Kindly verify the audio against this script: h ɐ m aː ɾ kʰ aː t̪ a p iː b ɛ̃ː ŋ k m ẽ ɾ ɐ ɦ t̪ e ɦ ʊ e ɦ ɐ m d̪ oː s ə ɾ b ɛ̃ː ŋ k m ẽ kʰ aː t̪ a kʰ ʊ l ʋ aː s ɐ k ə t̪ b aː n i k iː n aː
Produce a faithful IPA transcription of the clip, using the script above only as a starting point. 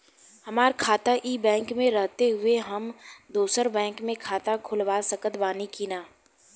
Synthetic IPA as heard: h ɐ m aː ɾ kʰ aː t̪ a ʔ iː b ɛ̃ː ŋ k m ẽ ɾ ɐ ɦ t̪ e ɦ ʊ e ɦ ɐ m d̪ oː s ə ɾ b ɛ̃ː ŋ k m ẽ kʰ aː t̪ a kʰ ʊ l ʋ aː s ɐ k ə t̪ b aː n i k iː n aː